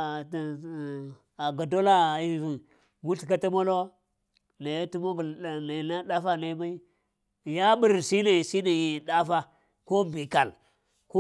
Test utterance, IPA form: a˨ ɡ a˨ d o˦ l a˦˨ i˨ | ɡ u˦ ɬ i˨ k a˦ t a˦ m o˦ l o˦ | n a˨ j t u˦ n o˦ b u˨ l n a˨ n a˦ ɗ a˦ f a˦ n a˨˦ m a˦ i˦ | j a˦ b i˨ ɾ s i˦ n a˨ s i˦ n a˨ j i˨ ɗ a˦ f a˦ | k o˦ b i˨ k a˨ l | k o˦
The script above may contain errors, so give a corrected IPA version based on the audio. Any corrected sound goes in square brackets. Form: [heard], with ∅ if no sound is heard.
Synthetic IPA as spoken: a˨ ɡ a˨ d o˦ l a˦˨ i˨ | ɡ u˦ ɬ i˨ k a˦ t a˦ m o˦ l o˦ | n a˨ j t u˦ [m] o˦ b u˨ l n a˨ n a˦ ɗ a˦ f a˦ n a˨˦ m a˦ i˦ | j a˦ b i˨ ɾ s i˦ n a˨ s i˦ n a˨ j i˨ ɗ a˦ f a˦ | k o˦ b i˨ k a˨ l | k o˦